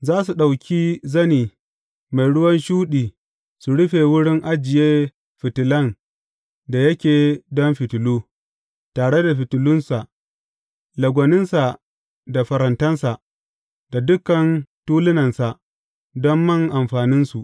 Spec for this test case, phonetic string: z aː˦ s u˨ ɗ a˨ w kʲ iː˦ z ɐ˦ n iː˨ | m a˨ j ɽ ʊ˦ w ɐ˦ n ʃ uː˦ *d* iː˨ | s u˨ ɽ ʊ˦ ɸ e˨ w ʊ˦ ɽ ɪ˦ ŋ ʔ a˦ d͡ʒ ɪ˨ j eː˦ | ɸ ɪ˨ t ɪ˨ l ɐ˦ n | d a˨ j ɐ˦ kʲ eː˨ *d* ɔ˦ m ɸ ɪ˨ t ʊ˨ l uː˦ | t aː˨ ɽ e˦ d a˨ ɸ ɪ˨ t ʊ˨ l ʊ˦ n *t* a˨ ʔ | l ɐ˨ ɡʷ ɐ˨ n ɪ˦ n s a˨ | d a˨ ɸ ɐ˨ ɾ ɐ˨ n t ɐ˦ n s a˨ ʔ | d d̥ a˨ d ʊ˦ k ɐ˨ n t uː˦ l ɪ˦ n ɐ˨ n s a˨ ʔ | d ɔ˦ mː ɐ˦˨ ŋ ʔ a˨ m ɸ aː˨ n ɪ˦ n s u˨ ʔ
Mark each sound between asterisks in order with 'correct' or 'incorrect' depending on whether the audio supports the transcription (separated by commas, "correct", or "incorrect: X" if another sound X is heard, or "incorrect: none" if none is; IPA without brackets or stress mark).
incorrect: ɗ, correct, incorrect: s